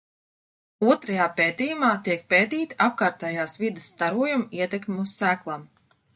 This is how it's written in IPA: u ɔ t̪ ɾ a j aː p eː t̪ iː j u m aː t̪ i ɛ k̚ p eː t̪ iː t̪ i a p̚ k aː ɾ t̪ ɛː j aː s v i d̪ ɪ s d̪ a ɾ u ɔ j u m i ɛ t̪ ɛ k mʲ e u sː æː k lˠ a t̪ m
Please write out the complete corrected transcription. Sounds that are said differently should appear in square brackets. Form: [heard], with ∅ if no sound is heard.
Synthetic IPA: u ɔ t̪ ɾ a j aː p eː t̪ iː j u m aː t̪ i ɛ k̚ p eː t̪ iː t̪ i a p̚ k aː ɾ t̪ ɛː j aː s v i d̪ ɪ s [t̪] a ɾ u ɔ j u m i ɛ t̪ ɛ k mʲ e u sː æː k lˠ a [∅] m